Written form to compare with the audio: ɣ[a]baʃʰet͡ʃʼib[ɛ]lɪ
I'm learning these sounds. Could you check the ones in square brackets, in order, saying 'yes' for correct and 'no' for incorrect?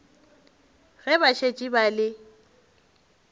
no, no

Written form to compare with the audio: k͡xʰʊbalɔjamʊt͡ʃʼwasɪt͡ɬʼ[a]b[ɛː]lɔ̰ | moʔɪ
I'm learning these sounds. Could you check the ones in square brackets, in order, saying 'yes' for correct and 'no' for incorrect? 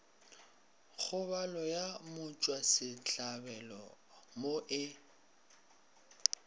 yes, no

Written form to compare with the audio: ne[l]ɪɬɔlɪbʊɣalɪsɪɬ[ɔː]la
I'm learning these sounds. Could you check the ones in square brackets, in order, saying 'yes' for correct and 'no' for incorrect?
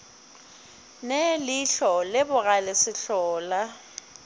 yes, yes

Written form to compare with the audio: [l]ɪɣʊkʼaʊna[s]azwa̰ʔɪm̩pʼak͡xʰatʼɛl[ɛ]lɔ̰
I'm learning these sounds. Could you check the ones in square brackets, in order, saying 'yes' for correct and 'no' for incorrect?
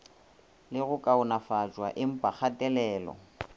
yes, no, no

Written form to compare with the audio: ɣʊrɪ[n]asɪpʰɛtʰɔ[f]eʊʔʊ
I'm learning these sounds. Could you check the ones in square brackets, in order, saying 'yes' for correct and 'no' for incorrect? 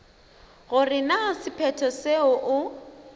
yes, no

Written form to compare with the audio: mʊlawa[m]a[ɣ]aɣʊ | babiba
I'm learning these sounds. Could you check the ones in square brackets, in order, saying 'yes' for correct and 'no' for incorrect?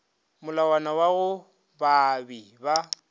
no, no

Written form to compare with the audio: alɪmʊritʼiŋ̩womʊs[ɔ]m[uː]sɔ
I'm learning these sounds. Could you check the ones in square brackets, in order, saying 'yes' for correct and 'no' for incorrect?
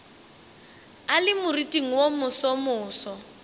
yes, no

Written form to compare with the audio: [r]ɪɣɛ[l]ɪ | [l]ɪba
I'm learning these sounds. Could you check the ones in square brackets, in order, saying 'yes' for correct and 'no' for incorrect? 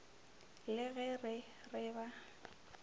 no, no, no

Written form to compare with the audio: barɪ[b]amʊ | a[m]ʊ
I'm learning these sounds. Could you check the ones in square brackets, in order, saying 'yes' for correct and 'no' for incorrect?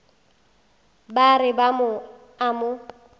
yes, yes

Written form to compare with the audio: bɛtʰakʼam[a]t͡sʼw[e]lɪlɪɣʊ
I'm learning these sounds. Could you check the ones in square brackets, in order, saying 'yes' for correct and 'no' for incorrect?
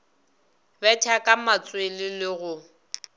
yes, yes

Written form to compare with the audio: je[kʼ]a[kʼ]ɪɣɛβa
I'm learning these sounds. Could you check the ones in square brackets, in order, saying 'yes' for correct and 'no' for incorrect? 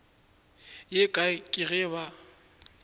yes, yes

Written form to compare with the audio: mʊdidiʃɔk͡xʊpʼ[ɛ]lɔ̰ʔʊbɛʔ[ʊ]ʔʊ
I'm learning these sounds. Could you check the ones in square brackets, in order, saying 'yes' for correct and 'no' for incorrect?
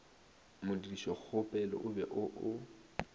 yes, yes

